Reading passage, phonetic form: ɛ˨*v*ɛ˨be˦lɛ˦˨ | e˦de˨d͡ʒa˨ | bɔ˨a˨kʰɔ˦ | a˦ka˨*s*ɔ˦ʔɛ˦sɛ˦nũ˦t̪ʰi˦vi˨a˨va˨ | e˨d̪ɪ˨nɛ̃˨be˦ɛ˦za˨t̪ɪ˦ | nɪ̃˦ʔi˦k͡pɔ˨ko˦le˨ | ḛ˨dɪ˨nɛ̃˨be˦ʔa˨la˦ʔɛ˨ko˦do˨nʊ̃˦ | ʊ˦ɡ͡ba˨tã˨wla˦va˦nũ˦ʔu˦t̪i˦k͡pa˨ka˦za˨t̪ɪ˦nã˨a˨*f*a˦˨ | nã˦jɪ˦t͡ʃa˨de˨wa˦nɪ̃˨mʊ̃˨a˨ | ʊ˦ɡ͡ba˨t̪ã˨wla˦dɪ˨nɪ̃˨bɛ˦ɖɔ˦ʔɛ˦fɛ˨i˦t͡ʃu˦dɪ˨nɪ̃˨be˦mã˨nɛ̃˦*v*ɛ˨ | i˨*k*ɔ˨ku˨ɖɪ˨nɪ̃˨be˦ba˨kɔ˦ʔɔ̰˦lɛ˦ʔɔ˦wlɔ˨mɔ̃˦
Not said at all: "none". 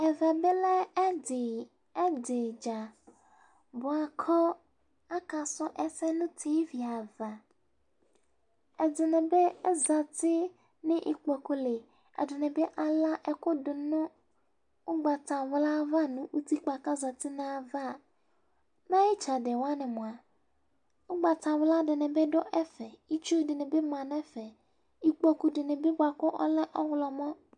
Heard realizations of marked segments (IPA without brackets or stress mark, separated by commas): v, s, v, f, k͡p